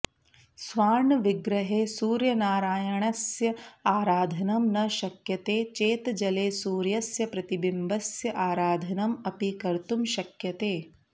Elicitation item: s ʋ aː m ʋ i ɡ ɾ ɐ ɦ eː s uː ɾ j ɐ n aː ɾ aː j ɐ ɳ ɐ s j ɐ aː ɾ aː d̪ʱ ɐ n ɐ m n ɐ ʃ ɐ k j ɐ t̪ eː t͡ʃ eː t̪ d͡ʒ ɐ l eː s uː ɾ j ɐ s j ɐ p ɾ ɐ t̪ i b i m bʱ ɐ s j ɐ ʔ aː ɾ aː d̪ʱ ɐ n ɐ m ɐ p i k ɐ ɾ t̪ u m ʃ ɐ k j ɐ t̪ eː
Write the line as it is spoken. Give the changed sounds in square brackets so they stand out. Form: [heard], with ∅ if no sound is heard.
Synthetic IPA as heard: s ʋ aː [ɳ] ʋ i ɡ ɾ ɐ ɦ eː s uː ɾ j ɐ n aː ɾ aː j ɐ ɳ ɐ s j ɐ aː ɾ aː d̪ʱ ɐ n ɐ m n ɐ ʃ ɐ k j ɐ t̪ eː t͡ʃ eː t̪ d͡ʒ ɐ l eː s uː ɾ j ɐ s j ɐ p ɾ ɐ t̪ i b i m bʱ ɐ s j ɐ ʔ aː ɾ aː d̪ʱ ɐ n ɐ m ɐ p i k ɐ ɾ t̪ u m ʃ ɐ k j ɐ t̪ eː